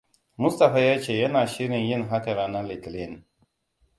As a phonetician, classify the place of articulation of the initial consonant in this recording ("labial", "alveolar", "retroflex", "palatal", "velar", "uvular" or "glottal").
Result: labial